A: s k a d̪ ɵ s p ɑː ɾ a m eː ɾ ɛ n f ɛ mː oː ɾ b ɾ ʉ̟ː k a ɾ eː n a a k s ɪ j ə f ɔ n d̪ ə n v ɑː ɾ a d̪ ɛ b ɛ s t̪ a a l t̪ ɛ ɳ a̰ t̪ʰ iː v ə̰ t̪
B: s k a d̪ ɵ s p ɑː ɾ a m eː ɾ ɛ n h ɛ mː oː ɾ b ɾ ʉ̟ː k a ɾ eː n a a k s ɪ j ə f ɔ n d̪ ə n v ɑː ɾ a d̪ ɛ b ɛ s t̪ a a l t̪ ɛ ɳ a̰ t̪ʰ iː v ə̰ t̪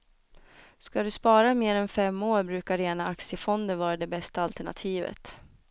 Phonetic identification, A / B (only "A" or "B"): A